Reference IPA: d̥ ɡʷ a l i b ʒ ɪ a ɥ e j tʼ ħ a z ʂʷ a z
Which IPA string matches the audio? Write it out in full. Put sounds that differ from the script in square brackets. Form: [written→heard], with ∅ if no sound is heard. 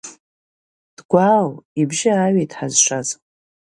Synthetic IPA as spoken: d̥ ɡʷ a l i b ʒ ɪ a ɥ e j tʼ ħ a z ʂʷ a z